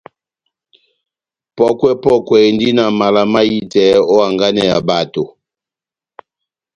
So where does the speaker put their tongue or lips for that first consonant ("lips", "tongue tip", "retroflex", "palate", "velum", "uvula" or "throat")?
lips